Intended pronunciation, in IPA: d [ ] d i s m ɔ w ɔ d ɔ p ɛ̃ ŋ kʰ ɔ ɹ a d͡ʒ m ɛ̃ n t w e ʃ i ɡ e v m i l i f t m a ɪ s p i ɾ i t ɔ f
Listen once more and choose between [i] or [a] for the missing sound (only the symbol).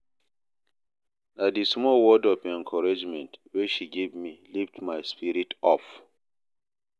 a